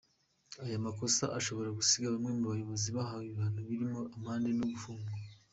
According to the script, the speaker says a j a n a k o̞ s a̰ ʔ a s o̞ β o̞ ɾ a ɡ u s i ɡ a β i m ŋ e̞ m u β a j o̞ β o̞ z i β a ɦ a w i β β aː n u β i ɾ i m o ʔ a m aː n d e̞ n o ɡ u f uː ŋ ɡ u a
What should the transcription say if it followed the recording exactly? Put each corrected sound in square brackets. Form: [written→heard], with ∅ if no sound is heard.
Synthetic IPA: a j a [n→m] a k o̞ s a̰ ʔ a [s→ʃ] o̞ β o̞ ɾ a ɡ u s i ɡ a β [i→a] m ŋ e̞ m u β a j o̞ β o̞ z i β a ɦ a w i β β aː n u β i ɾ i m o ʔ a m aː n d e̞ n o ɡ u f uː ŋ ɡ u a